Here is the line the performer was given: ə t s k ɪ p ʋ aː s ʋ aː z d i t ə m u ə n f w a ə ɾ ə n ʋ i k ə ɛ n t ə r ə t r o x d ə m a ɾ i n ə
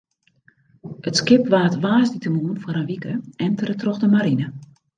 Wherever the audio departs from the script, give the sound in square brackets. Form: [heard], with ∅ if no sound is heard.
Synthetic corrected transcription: ə t s k ɪ p ʋ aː [t] ʋ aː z d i t ə m u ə n f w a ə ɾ ə n ʋ i k ə ɛ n t ə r ə t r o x d ə m a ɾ i n ə